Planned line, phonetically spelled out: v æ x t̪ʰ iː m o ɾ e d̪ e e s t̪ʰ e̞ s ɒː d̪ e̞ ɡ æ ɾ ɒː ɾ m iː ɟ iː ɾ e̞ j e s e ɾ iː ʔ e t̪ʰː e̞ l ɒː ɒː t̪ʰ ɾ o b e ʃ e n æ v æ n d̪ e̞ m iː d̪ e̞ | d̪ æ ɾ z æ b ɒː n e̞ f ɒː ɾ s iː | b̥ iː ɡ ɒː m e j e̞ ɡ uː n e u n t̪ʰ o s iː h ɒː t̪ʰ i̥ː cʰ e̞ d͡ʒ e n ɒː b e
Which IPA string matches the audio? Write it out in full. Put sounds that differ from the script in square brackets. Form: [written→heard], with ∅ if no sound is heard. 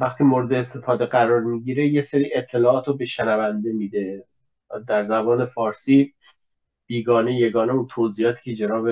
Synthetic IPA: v æ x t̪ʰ iː m o ɾ e d̪ e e s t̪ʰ e̞ [s→f] ɒː d̪ e̞ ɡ æ ɾ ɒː ɾ m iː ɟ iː ɾ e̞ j e s e ɾ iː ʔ e t̪ʰː e̞ l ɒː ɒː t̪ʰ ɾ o b e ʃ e n æ v æ n d̪ e̞ m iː d̪ e̞ | d̪ æ ɾ z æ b ɒː n e̞ f ɒː ɾ s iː | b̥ iː ɡ ɒː [m→n] e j e̞ ɡ [uː→ɒː] n e u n t̪ʰ o [s→z] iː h ɒː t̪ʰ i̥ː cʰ e̞ d͡ʒ e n ɒː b e